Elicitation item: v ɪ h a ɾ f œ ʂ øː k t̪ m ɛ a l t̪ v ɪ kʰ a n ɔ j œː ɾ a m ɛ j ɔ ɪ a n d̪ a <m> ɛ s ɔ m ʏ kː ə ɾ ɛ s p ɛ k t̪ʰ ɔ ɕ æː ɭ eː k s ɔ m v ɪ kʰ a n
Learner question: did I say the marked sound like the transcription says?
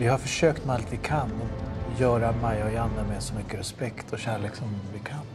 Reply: yes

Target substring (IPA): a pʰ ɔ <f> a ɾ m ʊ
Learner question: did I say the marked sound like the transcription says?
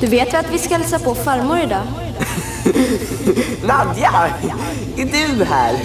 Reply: yes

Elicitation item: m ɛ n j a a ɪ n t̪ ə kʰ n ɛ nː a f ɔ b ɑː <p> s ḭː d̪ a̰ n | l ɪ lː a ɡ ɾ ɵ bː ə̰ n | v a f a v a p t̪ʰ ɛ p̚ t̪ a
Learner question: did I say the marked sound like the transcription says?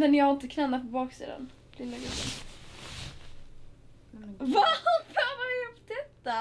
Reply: no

